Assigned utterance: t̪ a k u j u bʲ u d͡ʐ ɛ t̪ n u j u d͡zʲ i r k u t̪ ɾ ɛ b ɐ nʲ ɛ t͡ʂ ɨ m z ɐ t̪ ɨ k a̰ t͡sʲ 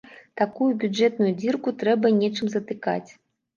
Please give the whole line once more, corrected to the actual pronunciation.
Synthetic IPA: t̪ a k u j u bʲ u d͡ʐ ɛ t̪ n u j u d͡zʲ i r k u t̪ ɾ ɛ b ɐ nʲ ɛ t͡ʂ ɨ m z ɐ t̪ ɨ k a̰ t͡sʲ